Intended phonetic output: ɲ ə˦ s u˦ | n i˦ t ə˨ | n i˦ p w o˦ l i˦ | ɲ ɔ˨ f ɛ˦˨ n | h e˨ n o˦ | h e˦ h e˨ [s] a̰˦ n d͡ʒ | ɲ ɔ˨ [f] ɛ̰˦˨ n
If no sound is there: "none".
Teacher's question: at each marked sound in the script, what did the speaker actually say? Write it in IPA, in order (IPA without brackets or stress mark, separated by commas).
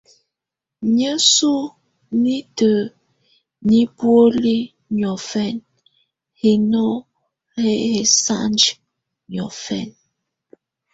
s, f